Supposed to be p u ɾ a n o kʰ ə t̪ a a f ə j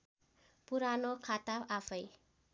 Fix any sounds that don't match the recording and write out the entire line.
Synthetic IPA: p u ɾ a n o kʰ a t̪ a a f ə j